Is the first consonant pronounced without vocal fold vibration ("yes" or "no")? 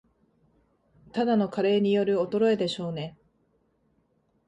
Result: yes